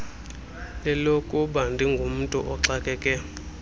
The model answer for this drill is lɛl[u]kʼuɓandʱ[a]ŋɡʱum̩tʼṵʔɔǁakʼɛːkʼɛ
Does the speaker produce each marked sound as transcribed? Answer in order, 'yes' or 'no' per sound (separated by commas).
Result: no, no